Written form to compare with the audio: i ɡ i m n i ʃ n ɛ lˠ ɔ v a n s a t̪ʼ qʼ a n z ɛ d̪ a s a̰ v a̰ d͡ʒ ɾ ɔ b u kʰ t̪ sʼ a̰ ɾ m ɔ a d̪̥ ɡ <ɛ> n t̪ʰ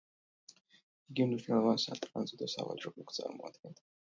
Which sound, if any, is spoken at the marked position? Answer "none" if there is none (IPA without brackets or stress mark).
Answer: ɛ